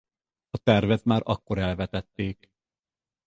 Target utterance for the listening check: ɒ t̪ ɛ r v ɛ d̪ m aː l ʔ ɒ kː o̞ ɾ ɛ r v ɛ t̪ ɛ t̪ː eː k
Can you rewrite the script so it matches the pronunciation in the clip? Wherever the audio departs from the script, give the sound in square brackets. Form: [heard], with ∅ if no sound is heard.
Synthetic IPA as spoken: ɒ t̪ ɛ r v ɛ [t̪] m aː [ɾ] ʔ ɒ kː o̞ ɾ ɛ [l] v ɛ t̪ ɛ t̪ː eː k